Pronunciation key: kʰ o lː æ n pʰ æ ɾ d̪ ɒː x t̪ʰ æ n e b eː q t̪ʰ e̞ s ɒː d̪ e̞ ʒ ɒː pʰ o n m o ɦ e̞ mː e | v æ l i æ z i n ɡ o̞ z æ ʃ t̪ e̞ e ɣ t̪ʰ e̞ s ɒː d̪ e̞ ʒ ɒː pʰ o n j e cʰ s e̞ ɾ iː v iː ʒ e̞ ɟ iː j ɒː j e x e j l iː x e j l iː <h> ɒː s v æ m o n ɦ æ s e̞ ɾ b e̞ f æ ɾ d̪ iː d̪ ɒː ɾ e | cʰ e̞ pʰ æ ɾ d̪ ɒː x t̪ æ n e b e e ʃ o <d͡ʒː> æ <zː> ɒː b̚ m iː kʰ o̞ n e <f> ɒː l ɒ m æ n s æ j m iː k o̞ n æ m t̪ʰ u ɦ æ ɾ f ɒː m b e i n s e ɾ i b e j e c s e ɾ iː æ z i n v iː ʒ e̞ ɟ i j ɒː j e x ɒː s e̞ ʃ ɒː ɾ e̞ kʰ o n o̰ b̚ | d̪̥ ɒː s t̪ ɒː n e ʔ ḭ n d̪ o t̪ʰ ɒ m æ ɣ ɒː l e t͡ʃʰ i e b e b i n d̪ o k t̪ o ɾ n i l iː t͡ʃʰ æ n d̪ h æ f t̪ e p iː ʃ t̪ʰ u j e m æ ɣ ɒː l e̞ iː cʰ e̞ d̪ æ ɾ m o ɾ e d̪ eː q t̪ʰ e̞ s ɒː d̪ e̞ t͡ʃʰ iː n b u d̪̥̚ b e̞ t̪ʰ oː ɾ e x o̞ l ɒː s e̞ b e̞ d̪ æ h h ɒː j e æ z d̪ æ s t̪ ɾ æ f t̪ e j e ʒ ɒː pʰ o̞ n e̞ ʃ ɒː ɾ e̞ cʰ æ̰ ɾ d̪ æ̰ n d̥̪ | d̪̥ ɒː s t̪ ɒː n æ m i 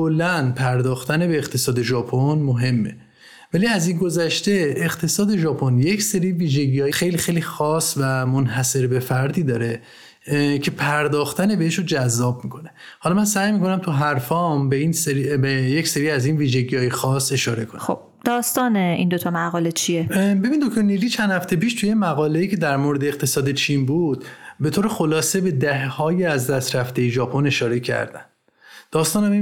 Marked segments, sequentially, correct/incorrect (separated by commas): incorrect, incorrect, correct, incorrect